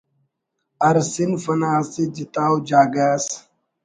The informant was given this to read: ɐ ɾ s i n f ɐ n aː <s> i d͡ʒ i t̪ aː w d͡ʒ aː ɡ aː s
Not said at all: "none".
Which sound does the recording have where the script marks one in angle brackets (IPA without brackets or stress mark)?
s